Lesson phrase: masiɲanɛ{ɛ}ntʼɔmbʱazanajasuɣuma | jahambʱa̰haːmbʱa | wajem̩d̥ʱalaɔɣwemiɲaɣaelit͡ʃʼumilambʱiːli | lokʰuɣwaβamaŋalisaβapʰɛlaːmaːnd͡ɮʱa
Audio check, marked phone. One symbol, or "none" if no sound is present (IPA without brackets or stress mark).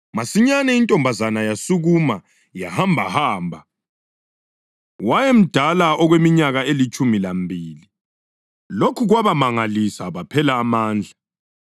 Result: i